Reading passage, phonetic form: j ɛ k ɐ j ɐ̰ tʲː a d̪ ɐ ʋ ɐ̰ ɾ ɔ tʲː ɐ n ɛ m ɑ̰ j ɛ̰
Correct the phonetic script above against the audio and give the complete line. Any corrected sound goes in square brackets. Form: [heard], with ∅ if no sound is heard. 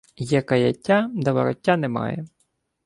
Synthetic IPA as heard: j ɛ k ɐ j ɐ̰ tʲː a d̪ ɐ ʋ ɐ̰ ɾ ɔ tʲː [a] n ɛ m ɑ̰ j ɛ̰

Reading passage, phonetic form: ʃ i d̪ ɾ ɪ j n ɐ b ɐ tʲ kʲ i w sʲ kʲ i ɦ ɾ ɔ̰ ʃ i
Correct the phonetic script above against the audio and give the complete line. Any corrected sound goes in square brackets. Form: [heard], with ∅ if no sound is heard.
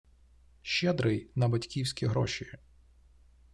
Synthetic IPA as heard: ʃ [ɛ] d̪ ɾ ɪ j n ɐ b ɐ tʲ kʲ i w sʲ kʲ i ɦ ɾ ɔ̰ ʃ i

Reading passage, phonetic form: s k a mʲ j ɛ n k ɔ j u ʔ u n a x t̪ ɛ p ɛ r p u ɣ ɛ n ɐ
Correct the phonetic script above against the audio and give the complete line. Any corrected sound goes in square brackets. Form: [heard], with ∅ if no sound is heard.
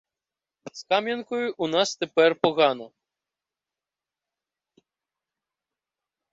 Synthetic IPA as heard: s k a mʲ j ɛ n k ɔ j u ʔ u n a [s] t̪ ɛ p ɛ r p [ɔ] ɣ [a] n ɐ

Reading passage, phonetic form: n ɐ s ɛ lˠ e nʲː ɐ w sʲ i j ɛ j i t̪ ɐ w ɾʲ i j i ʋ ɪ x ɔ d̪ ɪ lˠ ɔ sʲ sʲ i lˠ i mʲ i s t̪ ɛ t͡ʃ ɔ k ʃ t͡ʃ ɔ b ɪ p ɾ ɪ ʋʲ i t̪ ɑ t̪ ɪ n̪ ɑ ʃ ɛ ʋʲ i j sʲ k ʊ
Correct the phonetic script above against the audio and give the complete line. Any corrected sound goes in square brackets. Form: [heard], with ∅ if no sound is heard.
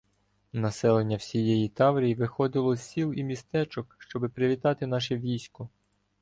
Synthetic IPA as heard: n ɐ s ɛ lˠ e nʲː ɐ w sʲ i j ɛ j i t̪ [ɑ] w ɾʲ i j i ʋ ɪ x ɔ d̪ ɪ lˠ ɔ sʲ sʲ i lˠ i mʲ i s t̪ ɛ t͡ʃ ɔ k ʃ t͡ʃ ɔ b ɪ p ɾ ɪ ʋʲ i t̪ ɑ t̪ ɪ n̪ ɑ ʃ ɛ ʋʲ i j sʲ k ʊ

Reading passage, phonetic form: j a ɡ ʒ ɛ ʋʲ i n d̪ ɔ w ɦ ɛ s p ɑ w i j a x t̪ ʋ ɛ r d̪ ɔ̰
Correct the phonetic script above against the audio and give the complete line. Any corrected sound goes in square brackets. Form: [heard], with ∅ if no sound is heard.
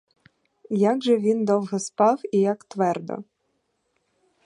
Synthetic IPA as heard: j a ɡ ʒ ɛ ʋʲ i n d̪ ɔ w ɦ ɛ s p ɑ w i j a [k] t̪ ʋ ɛ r d̪ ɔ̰

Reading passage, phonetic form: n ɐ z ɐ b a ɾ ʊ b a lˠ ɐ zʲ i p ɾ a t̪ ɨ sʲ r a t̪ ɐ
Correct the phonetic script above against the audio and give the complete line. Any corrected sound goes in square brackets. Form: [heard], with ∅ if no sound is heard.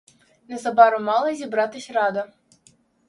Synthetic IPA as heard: n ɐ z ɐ b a ɾ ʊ [m] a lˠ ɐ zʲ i [b] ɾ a t̪ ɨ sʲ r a [d̪] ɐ

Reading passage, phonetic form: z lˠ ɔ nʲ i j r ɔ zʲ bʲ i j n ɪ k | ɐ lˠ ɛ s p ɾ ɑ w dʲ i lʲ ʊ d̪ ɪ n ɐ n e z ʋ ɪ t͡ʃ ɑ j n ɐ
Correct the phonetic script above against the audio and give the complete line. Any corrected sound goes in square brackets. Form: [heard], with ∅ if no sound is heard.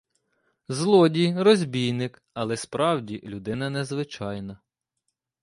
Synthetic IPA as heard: z lˠ ɔ [dʲ] i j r ɔ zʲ bʲ i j n ɪ k | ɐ lˠ ɛ s p ɾ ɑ w dʲ i lʲ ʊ d̪ ɪ n ɐ n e z ʋ ɪ t͡ʃ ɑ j n ɐ

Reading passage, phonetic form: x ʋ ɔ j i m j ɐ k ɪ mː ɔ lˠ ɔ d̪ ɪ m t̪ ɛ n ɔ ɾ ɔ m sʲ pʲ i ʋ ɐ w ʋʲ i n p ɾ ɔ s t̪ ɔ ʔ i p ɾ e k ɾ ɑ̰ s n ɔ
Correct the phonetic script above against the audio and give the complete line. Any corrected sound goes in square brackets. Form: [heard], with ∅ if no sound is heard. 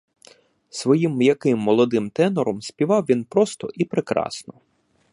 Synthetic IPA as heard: [s] ʋ ɔ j i m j ɐ k ɪ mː ɔ lˠ ɔ d̪ ɪ m t̪ ɛ n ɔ ɾ ɔ m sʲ pʲ i ʋ [ɑ] w ʋʲ i n p ɾ ɔ s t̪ ɔ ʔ i p ɾ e k ɾ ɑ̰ s n ɔ

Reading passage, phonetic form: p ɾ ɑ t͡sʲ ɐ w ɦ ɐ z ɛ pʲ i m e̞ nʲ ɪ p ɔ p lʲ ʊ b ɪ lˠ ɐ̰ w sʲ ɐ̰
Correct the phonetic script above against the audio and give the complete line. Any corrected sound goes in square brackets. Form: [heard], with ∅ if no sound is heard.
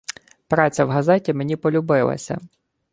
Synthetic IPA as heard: p ɾ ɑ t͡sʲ ɐ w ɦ ɐ z ɛ [tʲ] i m e̞ nʲ [i] p ɔ [∅] lʲ ʊ b ɪ lˠ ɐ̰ [∅] sʲ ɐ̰

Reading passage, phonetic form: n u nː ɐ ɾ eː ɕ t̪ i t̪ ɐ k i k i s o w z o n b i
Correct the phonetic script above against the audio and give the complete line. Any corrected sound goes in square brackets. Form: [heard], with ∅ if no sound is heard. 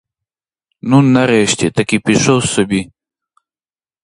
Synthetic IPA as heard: n u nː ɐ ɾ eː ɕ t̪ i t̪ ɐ k i [p] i [ʂ] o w [s] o [∅] b i

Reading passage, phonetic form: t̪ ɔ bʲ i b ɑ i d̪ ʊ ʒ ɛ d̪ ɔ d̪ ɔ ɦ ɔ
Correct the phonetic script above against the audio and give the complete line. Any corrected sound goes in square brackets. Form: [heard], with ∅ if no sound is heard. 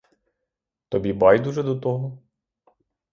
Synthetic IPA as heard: t̪ ɔ bʲ i b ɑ [j] d̪ [u] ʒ ɛ d̪ ɔ [t̪] ɔ ɦ ɔ

